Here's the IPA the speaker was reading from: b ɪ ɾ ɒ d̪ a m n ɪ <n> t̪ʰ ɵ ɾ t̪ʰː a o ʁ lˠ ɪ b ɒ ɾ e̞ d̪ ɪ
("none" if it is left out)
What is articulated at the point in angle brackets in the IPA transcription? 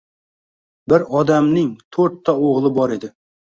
ŋ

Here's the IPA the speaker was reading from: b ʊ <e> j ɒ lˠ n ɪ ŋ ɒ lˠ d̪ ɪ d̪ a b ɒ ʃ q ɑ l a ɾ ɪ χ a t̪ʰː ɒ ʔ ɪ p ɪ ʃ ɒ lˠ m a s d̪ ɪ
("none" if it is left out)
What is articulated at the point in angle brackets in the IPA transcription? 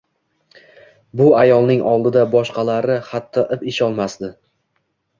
a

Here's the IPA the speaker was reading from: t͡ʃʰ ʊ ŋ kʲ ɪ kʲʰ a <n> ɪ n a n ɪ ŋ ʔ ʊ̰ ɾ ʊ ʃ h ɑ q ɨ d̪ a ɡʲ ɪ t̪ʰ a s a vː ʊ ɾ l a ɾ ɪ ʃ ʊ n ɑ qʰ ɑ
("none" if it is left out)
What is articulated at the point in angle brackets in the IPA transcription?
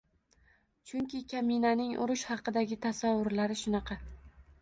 m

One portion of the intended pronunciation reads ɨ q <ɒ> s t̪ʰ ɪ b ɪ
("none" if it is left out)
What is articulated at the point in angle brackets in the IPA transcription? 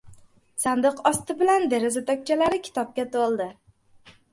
ɒ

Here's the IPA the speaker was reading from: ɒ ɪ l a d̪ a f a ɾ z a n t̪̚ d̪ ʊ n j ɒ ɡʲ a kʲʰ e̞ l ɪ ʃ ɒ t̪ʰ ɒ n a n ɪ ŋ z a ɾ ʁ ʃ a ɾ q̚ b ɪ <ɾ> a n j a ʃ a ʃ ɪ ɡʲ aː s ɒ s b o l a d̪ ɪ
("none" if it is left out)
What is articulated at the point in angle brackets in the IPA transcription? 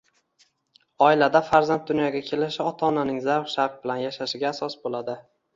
l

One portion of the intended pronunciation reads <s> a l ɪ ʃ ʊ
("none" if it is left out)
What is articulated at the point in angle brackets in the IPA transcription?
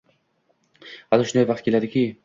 h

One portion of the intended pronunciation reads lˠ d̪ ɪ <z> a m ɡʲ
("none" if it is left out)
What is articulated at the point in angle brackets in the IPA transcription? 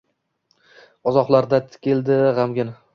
ʁ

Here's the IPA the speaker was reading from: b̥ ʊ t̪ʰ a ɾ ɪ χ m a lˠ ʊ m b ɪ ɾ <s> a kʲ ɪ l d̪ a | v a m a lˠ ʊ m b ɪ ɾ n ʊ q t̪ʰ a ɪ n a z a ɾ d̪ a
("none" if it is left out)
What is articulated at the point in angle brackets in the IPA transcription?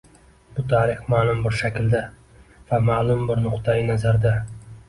ʃ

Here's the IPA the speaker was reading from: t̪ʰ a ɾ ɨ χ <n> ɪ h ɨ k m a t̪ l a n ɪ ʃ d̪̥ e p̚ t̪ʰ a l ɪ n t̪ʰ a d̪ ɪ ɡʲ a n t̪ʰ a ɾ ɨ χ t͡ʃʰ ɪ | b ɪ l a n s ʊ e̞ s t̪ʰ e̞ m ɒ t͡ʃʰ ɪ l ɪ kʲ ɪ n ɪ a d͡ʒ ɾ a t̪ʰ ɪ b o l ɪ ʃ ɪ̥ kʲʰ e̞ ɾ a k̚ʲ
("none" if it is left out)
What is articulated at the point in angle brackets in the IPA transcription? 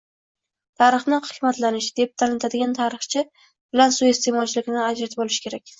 n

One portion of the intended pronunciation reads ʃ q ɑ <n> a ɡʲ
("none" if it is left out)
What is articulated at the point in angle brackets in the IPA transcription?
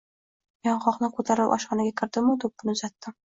n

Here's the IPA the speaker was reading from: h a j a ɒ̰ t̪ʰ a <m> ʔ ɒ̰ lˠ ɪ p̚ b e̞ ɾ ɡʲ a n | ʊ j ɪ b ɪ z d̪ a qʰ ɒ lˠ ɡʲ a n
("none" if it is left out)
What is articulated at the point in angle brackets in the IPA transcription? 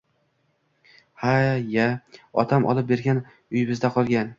m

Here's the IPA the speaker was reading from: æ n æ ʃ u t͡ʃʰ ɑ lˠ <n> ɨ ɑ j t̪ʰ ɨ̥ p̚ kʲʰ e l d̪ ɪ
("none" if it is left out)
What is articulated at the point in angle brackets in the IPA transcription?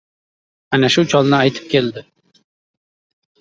n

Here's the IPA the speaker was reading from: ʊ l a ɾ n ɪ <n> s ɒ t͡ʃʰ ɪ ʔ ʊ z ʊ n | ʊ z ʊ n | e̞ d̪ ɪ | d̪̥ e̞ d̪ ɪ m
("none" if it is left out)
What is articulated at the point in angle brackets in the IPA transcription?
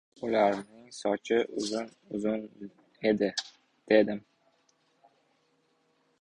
ŋ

